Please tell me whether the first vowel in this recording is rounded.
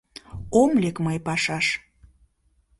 yes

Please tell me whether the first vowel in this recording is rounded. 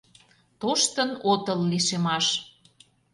yes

